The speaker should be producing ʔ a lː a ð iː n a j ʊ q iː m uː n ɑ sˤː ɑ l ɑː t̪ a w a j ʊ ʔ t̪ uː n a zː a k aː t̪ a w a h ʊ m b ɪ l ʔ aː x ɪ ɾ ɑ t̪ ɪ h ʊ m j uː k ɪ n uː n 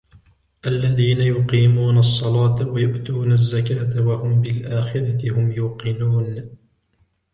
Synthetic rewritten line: ʔ a lː a ð iː n a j ʊ q iː m uː n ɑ sˤː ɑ l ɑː t̪ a w a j ʊ ʔ t̪ uː n a zː a k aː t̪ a w a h ʊ m b ɪ l ʔ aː x ɪ ɾ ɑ t̪ ɪ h ʊ m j uː q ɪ n uː n